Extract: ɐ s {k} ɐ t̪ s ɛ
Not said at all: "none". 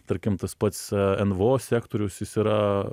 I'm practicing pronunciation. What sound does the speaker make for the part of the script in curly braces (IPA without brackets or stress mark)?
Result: p